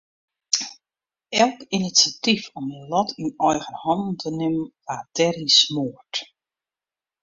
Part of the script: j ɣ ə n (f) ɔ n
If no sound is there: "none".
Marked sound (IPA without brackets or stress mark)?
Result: h